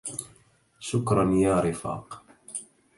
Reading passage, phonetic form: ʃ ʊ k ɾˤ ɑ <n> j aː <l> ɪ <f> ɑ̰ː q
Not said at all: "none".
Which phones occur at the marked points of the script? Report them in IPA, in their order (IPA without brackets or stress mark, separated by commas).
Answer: n, ɾ, f